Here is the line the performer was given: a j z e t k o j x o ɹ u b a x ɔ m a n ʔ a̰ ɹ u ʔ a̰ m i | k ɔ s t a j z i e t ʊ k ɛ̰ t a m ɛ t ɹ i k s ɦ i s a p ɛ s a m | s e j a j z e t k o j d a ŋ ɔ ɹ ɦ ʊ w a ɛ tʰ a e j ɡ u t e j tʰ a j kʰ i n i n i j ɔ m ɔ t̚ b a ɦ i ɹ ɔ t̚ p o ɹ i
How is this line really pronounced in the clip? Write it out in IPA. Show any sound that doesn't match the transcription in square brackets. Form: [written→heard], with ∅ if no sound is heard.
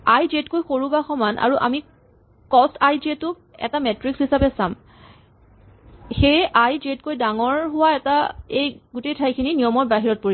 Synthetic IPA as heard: a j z e t k o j x o ɹ u b a x ɔ m a n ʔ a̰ ɹ u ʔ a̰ m i | k ɔ s t a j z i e t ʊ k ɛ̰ t a m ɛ t ɹ i k s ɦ i s a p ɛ s a m | [s→x] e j a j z e t k o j d a ŋ ɔ ɹ ɦ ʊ w a ɛ [tʰ→t] a e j ɡ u t e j tʰ a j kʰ i n i n i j ɔ m ɔ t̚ b a ɦ i ɹ ɔ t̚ p o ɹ i